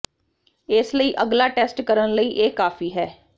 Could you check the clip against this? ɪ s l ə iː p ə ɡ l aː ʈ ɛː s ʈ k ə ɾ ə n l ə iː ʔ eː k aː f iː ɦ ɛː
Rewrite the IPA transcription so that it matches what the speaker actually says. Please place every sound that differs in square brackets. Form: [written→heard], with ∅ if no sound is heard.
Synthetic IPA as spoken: ɪ s l ə iː [p→ʔ] ə ɡ l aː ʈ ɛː s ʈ k ə ɾ ə n l ə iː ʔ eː k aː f iː ɦ ɛː